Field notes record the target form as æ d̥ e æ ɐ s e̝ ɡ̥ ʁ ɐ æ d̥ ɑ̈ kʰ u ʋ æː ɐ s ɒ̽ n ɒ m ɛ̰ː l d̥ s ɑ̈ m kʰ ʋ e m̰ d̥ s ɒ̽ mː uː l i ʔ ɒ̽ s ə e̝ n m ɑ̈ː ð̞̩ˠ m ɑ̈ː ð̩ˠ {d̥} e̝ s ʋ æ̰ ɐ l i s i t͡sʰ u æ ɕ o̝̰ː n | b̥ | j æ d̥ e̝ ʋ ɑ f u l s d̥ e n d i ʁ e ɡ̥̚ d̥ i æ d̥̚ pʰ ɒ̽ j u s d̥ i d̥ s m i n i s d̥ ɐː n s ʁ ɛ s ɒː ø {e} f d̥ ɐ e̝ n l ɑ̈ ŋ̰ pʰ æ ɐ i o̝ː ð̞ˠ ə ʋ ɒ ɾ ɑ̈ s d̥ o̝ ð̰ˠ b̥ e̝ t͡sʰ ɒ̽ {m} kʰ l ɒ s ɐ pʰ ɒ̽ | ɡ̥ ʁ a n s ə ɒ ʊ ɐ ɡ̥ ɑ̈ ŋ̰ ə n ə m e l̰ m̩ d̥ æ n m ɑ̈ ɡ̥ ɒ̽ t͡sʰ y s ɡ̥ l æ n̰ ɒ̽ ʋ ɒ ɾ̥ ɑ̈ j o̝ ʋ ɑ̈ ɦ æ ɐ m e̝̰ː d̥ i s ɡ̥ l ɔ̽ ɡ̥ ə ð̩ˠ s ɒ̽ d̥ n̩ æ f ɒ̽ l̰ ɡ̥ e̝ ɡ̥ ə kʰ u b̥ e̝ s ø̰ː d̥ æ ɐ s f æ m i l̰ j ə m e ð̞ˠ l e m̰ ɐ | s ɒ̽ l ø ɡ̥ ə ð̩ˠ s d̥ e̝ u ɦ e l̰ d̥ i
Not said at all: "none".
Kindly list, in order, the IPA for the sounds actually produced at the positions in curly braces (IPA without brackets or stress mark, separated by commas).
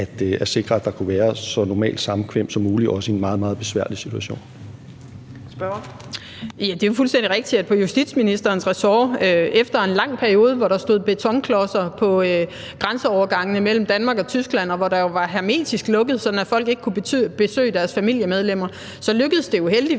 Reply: b̥, e, ŋ